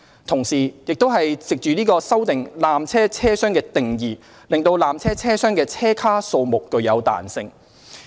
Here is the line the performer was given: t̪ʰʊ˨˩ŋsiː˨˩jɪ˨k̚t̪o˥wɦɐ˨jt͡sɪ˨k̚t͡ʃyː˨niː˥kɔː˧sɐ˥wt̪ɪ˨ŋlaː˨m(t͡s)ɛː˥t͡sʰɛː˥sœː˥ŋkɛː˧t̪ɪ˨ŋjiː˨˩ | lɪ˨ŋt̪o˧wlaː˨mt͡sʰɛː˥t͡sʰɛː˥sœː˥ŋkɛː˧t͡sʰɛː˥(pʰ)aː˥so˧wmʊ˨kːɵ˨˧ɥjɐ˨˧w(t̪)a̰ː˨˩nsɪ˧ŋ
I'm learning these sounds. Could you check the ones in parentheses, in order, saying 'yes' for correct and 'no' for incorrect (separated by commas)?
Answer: no, no, yes